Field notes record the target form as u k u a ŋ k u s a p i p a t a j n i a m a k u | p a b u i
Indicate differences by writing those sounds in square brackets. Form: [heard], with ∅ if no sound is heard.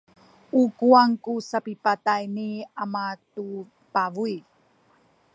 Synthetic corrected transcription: u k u a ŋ k u s a p i p a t a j n i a m a [t] u | p a [v] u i

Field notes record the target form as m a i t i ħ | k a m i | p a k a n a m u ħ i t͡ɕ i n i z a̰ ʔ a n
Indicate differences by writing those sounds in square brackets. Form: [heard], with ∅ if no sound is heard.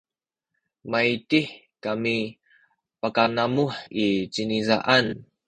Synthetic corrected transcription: m a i t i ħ | k a m i | p a k a n a m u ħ i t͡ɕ i n i z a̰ ʔ a n

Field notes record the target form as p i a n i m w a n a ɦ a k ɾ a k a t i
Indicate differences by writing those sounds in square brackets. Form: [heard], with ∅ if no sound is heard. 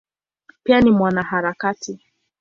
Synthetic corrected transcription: p i a n i m w a n a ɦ a [∅] ɾ a k a t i

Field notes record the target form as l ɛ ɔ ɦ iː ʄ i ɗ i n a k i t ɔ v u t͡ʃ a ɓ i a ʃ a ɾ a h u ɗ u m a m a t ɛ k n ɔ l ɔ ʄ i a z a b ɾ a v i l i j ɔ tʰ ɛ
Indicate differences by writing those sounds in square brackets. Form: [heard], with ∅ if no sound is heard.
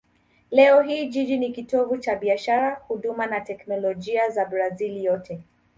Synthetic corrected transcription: l ɛ ɔ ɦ iː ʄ i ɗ i n [i] k i t ɔ v u t͡ʃ a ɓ i a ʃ a ɾ a h u ɗ u m a [n] a t ɛ k n ɔ l ɔ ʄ i a z a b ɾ a [z] i l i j ɔ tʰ ɛ

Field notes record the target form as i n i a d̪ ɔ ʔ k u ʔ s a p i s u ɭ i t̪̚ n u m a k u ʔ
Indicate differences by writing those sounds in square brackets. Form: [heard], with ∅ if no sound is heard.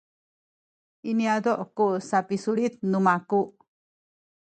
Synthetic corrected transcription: i n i a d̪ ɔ ʔ k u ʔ s a p i s u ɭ i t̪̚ n u m a k u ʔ

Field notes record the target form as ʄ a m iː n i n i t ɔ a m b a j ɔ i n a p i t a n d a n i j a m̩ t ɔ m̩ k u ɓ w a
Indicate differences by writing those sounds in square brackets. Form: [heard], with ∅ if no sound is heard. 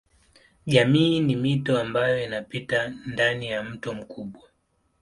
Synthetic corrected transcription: ʄ a m iː n i [m] i t ɔ a m b a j ɔ i n a p i t a n d a n i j a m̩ t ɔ m̩ k u ɓ w a

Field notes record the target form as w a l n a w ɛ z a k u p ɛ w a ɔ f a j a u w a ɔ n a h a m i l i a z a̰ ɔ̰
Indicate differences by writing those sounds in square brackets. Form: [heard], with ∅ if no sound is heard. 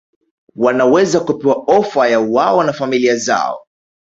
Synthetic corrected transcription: w a [∅] n a w ɛ z a k u p ɛ w a ɔ f a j a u w a ɔ n a [f] a m i l i a z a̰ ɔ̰

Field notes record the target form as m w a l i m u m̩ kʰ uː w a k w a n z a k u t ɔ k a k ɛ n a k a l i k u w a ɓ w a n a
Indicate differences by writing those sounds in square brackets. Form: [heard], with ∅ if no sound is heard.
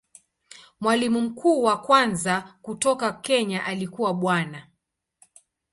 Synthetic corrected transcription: m w a l i m u m̩ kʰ uː w a k w a n z a k u t ɔ k a k ɛ [ɲ] a [ʔ] a l i k u w a ɓ w a n a

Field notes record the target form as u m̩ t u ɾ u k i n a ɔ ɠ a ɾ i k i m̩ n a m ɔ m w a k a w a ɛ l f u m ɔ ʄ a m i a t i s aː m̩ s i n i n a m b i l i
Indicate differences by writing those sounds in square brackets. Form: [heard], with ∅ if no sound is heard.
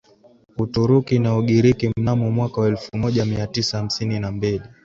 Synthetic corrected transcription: u [∅] t u ɾ u k i n a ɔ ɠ [i] ɾ i k i m̩ n a m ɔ m w a k a w a ɛ l f u m ɔ ʄ a m i a t i s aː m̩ s i n i n a m b i l i

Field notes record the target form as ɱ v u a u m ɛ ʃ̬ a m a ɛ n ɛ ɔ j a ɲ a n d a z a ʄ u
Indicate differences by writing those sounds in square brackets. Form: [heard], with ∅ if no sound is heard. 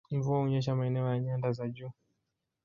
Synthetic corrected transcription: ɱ v u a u [ɲ] ɛ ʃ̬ a m a ɛ n ɛ ɔ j a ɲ a n d a z a ʄ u

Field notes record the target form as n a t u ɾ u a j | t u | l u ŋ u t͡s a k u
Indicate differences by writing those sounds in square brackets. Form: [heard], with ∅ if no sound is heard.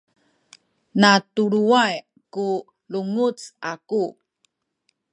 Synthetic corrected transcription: n a t u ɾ u a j | [k] u | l u ŋ u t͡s a k u

